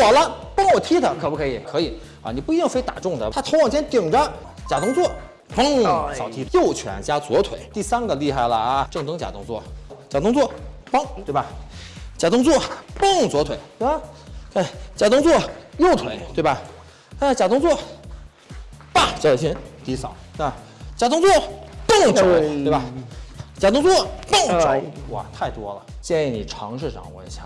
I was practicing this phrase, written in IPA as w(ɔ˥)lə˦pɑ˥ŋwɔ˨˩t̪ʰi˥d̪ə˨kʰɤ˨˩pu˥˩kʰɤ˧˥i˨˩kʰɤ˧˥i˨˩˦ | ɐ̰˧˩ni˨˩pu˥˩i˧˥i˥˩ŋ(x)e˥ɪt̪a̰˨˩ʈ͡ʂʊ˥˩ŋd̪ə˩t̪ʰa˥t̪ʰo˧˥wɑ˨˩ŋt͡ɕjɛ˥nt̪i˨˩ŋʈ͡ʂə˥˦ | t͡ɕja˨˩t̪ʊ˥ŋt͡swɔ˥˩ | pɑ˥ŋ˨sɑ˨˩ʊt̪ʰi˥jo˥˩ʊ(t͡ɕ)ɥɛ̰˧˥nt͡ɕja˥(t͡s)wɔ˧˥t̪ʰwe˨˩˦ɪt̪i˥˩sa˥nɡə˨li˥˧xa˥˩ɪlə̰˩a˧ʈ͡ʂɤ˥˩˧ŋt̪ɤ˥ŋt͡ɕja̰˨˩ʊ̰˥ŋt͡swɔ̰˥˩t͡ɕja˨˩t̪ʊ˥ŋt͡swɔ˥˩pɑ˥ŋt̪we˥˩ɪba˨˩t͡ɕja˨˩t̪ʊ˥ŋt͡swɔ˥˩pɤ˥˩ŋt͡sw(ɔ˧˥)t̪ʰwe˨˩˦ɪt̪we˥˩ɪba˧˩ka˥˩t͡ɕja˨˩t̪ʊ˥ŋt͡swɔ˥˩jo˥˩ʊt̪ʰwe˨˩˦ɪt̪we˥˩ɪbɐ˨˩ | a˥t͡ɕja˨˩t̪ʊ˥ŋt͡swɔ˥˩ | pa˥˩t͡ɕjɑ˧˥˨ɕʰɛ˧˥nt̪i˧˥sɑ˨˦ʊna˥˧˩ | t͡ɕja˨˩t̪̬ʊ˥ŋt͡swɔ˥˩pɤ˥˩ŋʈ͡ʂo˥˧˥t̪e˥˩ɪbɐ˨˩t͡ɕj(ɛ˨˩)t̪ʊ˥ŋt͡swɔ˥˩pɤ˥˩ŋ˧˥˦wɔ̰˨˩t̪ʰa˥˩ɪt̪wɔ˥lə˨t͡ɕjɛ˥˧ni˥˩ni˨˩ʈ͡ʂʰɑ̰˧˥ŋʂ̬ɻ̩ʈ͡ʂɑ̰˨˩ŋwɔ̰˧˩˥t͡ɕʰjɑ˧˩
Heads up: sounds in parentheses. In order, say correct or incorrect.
incorrect: ɔ˨˩, incorrect: f, incorrect: t͡ɕʰ, correct, correct, incorrect: a˨˩

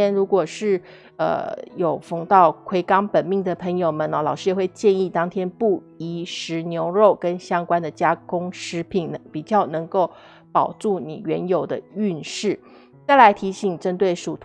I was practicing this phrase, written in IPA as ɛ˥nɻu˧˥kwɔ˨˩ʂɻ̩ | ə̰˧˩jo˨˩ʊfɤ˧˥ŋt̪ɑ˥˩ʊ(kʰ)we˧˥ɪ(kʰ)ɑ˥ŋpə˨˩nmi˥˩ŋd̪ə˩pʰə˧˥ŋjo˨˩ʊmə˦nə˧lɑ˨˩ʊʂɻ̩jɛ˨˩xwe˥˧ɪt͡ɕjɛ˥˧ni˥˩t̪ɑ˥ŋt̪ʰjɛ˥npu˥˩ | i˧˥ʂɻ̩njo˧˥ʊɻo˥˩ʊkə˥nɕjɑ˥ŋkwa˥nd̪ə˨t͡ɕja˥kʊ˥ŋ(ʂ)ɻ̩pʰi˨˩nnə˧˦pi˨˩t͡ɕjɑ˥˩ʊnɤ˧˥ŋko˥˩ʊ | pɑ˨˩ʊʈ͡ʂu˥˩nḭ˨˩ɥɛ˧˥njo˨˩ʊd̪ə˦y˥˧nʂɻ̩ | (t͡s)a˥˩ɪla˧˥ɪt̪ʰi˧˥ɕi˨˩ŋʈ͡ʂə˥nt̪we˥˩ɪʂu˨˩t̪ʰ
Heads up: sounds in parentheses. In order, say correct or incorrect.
correct, incorrect: k, correct, correct

